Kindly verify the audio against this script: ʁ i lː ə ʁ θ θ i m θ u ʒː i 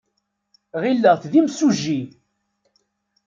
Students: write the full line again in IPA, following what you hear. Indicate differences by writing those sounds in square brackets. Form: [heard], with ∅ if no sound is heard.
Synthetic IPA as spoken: ʁ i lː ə ʁ θ [ð] i m [s] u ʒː i